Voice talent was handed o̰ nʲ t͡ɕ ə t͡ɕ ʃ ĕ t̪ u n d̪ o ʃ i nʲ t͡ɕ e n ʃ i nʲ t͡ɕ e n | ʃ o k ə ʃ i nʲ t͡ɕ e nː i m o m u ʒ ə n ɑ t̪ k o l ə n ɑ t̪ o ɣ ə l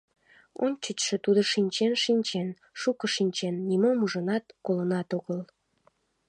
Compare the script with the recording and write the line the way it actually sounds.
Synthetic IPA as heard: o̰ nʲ t͡ɕ ə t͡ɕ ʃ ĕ t̪ u d̪ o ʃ i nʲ t͡ɕ e n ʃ i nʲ t͡ɕ e n | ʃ u k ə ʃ i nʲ t͡ɕ e nː i m o m u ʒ ə n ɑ t̪ k o l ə n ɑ t̪ o ɣ ə l